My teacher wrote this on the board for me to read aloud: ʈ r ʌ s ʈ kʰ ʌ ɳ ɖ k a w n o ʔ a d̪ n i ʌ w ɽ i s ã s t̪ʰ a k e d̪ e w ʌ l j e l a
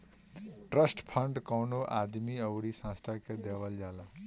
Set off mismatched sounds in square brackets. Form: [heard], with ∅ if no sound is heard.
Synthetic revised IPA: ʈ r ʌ s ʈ [pʰ] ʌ ɳ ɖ k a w n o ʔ a d̪ [m] i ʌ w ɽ i s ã s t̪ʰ a k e d̪ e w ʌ l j [a] l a